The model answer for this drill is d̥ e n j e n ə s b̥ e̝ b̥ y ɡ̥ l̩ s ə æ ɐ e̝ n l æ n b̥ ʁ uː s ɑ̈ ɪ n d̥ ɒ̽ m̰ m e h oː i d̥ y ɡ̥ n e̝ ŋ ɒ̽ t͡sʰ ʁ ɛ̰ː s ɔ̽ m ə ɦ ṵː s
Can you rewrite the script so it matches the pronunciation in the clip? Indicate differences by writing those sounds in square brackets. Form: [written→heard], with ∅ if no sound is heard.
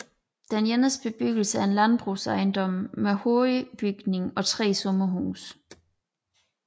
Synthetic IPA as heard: d̥ e n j e n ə s b̥ e̝ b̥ y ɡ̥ l̩ s ə æ ɐ e̝ n l æ n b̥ ʁ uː s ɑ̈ ɪ n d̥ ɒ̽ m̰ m e h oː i [d̥→b̥] y ɡ̥ n e̝ ŋ ɒ̽ t͡sʰ ʁ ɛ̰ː s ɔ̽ m [ə→ɐ] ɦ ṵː s

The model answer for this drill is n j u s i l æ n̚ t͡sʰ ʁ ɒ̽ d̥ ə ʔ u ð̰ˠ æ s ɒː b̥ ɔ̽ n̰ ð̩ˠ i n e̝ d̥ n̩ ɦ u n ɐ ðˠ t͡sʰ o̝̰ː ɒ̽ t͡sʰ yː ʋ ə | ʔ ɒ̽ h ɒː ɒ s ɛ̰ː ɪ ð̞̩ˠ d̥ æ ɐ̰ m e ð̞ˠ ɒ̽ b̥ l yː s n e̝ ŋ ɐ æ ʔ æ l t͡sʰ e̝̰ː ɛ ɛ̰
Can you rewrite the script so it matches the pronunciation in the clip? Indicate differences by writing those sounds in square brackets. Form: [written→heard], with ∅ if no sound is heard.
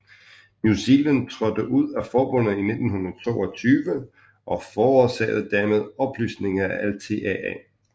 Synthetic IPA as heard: n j u s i l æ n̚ t͡sʰ ʁ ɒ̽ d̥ ə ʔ u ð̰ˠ æ [s→f] ɒː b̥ ɔ̽ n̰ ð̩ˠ i n e̝ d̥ n̩ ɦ u n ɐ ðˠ t͡sʰ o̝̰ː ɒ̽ t͡sʰ yː ʋ ə | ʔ ɒ̽ [h→f] ɒː ɒ s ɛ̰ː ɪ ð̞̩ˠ d̥ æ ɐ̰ m e ð̞ˠ ɒ̽ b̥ l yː s n e̝ ŋ ɐ æ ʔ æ l t͡sʰ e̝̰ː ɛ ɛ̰

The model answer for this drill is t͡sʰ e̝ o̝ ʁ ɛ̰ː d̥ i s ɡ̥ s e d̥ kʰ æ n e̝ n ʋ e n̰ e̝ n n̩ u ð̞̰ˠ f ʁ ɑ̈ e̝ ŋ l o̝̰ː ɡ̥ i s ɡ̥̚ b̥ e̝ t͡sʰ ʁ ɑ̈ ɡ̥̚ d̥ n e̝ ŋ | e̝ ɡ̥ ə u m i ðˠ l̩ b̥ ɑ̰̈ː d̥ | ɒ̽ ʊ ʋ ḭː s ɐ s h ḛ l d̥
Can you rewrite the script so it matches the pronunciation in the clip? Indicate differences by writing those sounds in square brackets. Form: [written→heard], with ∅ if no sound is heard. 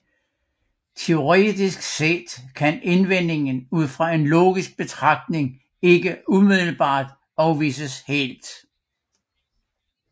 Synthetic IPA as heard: t͡sʰ e̝ o̝ ʁ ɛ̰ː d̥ i s ɡ̥ s e d̥ kʰ æ n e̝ n ʋ e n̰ e̝ [n→ŋ] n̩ u ð̞̰ˠ f ʁ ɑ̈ e̝ [ŋ→n] l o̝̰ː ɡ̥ i s ɡ̥̚ b̥ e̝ t͡sʰ ʁ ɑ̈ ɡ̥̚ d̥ n e̝ ŋ | e̝ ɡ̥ ə u m i ðˠ l̩ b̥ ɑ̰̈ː d̥ | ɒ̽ ʊ ʋ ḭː s [ɐ→ə] s h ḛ l d̥

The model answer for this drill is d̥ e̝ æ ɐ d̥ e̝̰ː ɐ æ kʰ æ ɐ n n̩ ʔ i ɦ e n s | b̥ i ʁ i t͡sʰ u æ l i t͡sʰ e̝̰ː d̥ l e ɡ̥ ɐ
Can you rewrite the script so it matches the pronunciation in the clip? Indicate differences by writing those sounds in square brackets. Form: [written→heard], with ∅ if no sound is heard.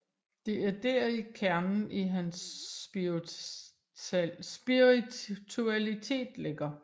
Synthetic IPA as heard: d̥ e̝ æ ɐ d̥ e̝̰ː ɐ [æ→i] kʰ æ ɐ n n̩ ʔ i ɦ [e→æ] n s | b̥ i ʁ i t͡sʰ u æ l i t͡sʰ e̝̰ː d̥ l e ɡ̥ ɐ

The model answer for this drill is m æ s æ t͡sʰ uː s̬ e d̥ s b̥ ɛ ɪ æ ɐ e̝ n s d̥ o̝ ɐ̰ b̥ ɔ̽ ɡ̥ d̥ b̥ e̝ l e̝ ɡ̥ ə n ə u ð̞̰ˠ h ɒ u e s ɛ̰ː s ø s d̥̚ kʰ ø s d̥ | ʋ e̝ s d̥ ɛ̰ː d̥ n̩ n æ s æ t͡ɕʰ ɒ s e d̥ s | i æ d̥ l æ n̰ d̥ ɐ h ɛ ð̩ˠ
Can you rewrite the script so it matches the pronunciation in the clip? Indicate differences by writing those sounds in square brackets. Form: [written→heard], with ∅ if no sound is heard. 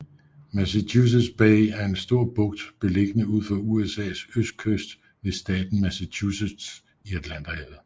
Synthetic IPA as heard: m æ s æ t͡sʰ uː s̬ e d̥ s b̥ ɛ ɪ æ ɐ e̝ n s d̥ o̝ ɐ̰ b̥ ɔ̽ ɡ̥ d̥ b̥ e̝ l e̝ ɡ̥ ə n ə u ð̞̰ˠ [h→f] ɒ u e s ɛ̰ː s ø s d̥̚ kʰ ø s d̥ | ʋ e̝ s d̥ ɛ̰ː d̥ n̩ [n→m] æ s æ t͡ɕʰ [ɒ→u] s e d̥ s | i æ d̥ l æ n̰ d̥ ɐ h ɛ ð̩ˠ

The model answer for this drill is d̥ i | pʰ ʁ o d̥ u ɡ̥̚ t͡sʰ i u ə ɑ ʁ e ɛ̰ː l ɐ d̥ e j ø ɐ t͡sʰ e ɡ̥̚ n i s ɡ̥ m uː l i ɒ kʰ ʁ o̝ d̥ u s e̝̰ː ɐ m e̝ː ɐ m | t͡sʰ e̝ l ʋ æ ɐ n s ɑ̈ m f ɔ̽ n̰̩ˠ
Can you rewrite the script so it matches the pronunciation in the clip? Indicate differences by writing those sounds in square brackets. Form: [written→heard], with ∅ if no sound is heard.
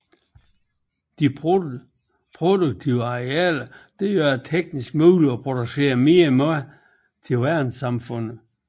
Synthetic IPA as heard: d̥ i | pʰ ʁ o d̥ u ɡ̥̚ t͡sʰ i [u→ʊ] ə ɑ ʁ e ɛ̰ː l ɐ d̥ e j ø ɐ t͡sʰ e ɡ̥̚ n i s ɡ̥ m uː l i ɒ [kʰ→pʰ] ʁ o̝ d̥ u s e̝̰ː ɐ m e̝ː ɐ m | t͡sʰ e̝ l ʋ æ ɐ n s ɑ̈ m f ɔ̽ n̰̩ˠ

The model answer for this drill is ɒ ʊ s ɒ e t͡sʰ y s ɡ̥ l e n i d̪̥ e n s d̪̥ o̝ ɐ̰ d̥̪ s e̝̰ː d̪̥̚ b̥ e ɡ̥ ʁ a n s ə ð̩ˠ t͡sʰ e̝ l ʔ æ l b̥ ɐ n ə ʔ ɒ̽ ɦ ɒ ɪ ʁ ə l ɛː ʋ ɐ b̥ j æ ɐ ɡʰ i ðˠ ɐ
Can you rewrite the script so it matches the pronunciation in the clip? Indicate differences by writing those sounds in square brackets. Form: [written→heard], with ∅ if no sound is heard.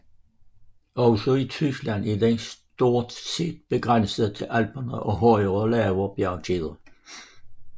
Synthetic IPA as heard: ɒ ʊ s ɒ [e→i] t͡sʰ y s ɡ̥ l [e→æ] n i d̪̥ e n s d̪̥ o̝ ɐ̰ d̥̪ s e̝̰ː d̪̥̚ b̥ e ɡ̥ ʁ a n s ə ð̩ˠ t͡sʰ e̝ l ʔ æ l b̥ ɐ n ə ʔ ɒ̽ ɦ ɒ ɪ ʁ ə l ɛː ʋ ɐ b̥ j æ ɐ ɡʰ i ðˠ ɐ

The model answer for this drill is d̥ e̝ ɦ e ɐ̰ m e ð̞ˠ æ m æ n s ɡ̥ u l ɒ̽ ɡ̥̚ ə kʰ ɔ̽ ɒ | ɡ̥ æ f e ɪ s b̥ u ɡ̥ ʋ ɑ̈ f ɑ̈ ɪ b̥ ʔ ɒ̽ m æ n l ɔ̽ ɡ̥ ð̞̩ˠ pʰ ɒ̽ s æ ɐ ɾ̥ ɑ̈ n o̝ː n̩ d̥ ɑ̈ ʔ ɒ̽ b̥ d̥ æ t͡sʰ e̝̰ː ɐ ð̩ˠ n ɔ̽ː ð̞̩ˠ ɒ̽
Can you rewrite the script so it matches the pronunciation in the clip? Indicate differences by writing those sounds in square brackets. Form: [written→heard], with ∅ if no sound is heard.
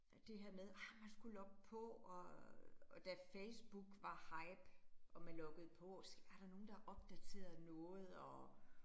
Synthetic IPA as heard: d̥ e̝ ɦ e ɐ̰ m e ð̞ˠ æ m æ n s ɡ̥ u l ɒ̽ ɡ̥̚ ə [kʰ→pʰ] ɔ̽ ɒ | [ɡ̥→d̥] æ f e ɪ s b̥ u ɡ̥ ʋ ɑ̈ [f→h] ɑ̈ ɪ b̥ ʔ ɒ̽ m æ n l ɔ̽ ɡ̥ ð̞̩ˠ pʰ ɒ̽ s æ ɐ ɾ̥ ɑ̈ n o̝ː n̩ d̥ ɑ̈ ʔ ɒ̽ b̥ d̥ æ t͡sʰ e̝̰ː ɐ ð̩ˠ n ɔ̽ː ð̞̩ˠ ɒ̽

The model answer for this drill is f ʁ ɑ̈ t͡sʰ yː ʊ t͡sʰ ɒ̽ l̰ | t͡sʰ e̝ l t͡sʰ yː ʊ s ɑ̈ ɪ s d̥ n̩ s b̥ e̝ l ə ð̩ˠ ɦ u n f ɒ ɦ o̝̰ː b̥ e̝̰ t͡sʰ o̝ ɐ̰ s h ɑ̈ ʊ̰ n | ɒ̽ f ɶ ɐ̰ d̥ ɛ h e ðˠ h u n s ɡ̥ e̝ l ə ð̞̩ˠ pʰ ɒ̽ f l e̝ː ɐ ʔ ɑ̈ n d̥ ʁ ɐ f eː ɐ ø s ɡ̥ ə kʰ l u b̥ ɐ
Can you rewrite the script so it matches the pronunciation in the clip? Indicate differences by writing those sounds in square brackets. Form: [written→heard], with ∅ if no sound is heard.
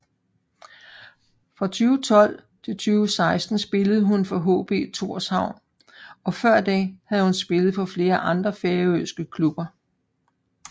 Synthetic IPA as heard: f ʁ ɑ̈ t͡sʰ yː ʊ t͡sʰ ɒ̽ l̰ | t͡sʰ e̝ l t͡sʰ yː ʊ s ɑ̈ ɪ s d̥ n̩ s b̥ e̝ l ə ð̩ˠ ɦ u n f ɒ ɦ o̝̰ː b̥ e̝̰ t͡sʰ o̝ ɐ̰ s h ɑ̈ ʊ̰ n | ɒ̽ f ɶ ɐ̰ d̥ ɛ h [e→æ] ðˠ h u n s [ɡ̥→b̥] e̝ l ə ð̞̩ˠ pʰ ɒ̽ f l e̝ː ɐ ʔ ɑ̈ n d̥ ʁ ɐ f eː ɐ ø s ɡ̥ ə kʰ l u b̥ ɐ

